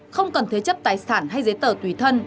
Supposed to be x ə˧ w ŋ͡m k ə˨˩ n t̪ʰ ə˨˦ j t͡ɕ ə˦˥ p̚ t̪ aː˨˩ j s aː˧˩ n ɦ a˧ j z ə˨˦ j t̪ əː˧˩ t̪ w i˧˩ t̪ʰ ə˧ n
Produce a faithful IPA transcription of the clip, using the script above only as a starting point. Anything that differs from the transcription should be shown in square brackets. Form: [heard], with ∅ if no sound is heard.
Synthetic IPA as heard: x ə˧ w ŋ͡m k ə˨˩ n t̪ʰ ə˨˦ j t͡ɕ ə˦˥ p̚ t̪ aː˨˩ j s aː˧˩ n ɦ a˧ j z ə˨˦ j t̪ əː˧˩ t̪ w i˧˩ t̪ʰ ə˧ n